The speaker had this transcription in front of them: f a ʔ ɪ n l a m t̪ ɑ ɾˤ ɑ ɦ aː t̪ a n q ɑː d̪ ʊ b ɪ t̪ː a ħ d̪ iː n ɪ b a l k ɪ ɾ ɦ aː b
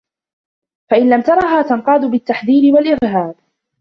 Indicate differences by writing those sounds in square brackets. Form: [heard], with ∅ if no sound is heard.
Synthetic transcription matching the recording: f a ʔ ɪ n l a m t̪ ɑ ɾˤ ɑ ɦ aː t̪ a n q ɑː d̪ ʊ b ɪ t̪ː a ħ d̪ iː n ɪ [w] a l [ʔ] ɪ ɾ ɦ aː b